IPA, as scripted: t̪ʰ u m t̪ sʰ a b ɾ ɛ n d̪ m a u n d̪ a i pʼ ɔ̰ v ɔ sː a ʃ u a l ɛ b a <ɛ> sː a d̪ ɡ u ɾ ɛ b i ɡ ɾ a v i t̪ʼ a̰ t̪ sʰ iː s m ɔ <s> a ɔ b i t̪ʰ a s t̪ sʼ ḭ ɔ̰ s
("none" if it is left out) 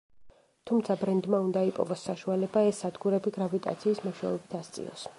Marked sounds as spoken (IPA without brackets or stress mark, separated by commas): ɛ, ʃ